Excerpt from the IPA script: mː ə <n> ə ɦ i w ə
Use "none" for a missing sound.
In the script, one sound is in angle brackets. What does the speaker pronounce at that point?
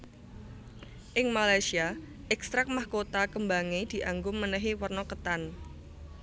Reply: n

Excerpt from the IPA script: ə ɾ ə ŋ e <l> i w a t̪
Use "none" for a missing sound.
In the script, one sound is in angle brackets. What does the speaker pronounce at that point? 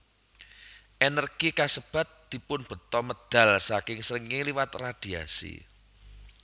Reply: l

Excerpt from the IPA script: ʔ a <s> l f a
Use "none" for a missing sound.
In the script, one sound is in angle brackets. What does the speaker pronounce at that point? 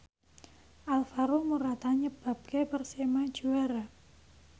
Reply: none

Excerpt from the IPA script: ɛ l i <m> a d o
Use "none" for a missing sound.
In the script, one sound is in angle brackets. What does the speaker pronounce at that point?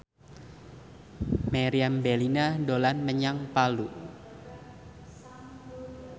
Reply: n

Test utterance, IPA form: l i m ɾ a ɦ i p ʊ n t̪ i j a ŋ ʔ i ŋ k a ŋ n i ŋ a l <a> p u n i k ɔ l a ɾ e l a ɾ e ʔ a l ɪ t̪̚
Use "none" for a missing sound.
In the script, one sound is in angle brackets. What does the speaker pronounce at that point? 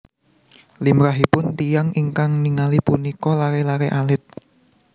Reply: i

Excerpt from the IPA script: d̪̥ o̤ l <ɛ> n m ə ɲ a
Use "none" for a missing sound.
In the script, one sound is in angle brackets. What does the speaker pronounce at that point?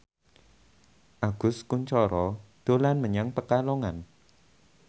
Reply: a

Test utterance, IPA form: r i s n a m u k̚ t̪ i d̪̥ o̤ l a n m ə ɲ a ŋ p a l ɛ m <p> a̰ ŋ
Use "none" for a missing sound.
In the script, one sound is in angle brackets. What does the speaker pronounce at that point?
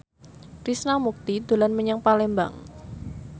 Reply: b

